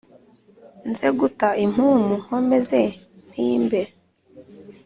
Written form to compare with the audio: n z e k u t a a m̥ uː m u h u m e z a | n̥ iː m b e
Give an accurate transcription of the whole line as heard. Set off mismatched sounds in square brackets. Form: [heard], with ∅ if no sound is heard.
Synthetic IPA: n z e [ɡ] u t a [i] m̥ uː m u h [o] m e z [e] | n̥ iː m b e